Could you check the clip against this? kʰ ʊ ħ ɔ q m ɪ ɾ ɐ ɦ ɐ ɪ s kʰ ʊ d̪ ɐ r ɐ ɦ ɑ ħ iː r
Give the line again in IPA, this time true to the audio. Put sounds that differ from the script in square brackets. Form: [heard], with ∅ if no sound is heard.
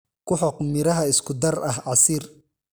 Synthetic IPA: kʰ ʊ ħ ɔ q m ɪ ɾ ɐ ɦ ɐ ɪ s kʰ ʊ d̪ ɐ r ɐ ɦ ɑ [s] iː r